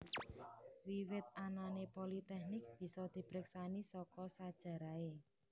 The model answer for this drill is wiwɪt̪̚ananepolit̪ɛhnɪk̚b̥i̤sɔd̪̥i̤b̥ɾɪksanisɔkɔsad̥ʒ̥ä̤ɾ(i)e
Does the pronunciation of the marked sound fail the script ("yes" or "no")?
yes